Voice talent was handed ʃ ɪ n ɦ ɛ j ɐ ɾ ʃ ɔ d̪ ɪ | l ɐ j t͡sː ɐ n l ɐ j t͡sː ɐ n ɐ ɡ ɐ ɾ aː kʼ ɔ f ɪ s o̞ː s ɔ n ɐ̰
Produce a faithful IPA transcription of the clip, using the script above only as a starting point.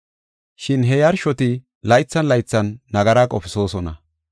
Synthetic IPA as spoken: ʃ ɪ n ɦ ɛ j ɐ ɾ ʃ ɔ t̪ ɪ | l ɐ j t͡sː ɐ n l ɐ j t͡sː ɐ nː ɐ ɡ ɐ ɾ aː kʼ ɔ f ɪ s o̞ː s ɔ n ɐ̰